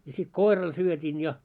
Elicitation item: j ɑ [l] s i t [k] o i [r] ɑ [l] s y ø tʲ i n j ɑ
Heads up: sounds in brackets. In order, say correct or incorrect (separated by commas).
incorrect, correct, correct, correct